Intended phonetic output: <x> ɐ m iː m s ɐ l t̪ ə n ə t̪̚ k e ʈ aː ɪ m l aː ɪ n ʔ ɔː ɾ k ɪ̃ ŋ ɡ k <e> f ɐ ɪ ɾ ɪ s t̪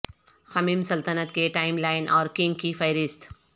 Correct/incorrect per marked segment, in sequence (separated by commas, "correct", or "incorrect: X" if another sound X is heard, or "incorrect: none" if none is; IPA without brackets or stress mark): correct, incorrect: i